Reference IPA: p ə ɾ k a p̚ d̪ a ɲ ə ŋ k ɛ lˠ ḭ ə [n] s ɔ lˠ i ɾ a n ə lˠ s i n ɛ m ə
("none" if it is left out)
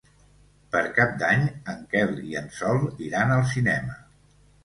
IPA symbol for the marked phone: n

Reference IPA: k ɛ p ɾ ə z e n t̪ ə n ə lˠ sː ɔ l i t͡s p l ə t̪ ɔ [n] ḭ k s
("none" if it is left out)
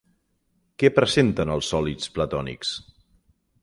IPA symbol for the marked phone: n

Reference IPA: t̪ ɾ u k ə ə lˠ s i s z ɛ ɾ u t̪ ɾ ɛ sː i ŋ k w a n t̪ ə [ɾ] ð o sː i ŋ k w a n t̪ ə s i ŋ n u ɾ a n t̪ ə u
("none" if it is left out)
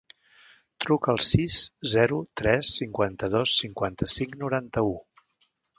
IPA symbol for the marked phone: none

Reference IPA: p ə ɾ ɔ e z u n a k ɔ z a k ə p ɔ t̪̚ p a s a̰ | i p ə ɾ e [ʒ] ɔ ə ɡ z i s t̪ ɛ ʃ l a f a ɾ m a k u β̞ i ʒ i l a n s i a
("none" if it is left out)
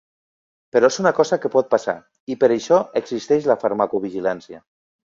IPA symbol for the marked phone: ʃ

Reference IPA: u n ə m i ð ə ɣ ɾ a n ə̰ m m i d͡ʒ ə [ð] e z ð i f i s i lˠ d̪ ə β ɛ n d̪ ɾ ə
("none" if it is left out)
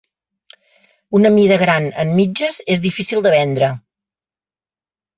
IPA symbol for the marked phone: z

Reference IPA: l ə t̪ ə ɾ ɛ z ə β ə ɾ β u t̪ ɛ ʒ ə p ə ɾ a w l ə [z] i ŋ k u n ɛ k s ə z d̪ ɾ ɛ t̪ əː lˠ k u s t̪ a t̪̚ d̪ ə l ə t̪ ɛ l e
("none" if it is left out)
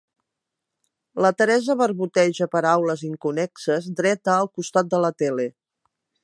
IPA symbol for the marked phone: z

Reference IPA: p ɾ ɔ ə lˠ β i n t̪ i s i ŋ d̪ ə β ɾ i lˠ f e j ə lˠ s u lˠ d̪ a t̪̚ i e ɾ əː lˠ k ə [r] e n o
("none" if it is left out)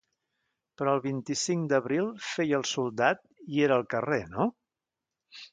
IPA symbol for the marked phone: r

